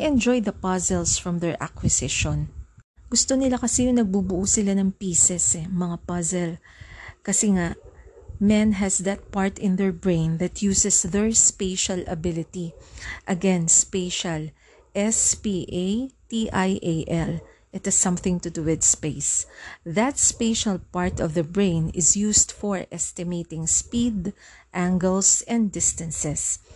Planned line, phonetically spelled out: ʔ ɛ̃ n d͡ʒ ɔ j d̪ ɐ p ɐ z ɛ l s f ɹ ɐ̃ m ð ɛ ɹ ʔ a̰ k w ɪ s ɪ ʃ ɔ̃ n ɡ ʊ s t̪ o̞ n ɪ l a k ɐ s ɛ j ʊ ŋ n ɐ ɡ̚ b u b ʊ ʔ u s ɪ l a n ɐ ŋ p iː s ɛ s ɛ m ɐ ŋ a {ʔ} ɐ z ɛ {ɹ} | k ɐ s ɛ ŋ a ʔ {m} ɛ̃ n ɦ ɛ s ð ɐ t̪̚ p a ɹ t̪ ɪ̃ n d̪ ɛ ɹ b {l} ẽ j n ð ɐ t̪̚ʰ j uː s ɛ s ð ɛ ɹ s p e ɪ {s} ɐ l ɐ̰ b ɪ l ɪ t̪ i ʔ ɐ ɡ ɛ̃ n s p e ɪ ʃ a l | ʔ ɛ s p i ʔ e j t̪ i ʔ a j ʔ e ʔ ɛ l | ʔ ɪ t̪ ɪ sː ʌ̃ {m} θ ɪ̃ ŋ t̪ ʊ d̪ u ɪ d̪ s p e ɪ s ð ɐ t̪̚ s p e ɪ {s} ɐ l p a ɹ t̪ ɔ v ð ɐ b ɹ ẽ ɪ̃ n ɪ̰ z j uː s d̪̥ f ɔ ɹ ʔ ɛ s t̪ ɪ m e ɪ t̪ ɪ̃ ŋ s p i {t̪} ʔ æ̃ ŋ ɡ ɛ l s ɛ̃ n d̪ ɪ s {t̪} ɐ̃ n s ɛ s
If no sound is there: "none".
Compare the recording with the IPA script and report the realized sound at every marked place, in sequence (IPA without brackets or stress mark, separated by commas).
p, l, m, ɹ, ʃ, m, ʃ, d̪, t̪